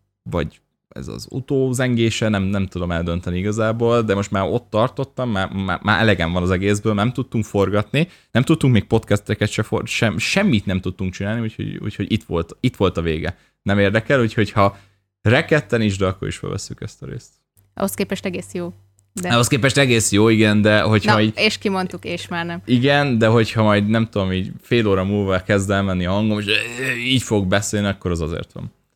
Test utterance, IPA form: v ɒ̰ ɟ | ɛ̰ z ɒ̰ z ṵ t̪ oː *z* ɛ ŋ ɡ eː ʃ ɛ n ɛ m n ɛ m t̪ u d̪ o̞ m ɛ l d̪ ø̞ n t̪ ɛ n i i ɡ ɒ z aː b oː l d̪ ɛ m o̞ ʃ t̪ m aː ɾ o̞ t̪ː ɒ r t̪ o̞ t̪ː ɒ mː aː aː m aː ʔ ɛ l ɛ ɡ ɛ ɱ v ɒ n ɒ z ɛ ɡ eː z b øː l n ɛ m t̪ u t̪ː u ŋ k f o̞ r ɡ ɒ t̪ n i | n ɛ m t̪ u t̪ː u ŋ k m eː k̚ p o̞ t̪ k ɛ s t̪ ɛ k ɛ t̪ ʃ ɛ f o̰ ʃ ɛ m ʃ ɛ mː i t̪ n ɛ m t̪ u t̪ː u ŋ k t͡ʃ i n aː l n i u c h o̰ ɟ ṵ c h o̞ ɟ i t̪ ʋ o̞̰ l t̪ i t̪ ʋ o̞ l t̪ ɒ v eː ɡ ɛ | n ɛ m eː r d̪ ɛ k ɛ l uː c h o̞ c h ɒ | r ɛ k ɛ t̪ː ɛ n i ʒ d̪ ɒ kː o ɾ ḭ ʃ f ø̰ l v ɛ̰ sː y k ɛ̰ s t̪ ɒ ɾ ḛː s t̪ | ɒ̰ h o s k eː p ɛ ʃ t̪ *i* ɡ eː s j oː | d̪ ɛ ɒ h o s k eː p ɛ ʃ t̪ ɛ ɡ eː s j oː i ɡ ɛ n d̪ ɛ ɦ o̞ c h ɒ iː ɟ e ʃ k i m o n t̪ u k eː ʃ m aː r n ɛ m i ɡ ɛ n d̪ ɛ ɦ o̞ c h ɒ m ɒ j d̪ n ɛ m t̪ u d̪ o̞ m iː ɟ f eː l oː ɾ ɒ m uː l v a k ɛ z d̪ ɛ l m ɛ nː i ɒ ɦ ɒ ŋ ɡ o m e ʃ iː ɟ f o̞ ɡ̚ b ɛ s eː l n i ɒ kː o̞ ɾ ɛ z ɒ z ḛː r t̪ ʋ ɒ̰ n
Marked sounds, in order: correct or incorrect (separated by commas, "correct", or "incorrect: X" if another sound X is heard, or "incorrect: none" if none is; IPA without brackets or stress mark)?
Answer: correct, incorrect: ɛ